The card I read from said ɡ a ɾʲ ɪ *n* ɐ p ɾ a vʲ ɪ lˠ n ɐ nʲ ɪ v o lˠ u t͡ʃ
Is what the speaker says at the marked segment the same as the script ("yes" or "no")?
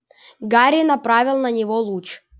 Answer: yes